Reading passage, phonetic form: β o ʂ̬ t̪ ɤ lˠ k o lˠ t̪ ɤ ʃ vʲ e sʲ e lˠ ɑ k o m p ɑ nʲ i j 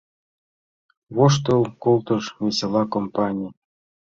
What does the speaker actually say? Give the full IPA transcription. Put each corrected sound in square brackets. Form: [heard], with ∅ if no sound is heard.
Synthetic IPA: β o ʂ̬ t̪ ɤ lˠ k o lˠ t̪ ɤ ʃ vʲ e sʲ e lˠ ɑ k o m p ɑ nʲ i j